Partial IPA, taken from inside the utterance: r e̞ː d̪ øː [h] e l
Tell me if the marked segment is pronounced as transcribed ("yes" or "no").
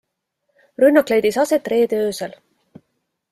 no